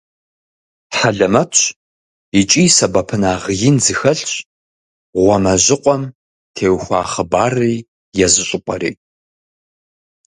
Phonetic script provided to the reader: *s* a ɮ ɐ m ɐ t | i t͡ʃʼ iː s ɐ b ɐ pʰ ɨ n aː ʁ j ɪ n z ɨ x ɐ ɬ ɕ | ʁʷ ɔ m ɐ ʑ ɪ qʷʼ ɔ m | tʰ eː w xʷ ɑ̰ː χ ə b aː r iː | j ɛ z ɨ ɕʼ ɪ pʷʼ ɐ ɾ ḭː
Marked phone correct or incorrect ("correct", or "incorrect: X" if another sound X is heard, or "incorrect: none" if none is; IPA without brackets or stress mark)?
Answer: incorrect: ħ